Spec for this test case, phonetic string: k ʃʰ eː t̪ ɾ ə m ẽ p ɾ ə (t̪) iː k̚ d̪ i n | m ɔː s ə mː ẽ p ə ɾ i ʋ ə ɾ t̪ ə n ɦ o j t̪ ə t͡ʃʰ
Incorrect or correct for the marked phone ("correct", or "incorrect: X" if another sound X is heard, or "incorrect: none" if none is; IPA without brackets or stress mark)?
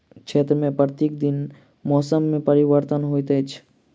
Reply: correct